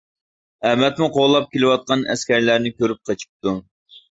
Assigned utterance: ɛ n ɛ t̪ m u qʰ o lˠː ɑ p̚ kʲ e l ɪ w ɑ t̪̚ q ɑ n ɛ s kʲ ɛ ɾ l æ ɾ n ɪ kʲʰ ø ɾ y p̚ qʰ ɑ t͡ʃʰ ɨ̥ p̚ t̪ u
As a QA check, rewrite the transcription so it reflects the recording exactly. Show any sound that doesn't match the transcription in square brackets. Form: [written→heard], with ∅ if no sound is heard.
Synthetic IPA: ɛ [n→m] ɛ t̪ m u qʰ o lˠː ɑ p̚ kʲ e l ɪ w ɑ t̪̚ q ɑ n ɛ s kʲ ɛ ɾ l æ ɾ n ɪ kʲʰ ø ɾ y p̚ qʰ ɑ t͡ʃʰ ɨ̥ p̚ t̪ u